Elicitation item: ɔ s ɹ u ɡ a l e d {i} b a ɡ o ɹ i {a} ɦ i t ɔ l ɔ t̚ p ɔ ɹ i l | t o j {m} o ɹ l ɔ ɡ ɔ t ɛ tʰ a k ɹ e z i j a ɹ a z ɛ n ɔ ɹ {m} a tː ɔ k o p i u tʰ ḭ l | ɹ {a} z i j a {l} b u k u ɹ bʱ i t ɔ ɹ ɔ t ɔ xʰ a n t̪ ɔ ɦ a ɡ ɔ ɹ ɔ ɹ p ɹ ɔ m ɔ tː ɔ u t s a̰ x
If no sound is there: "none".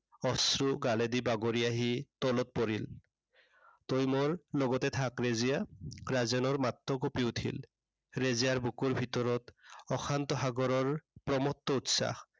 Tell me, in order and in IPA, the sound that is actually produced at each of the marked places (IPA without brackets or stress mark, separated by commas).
i, a, m, m, e, ɹ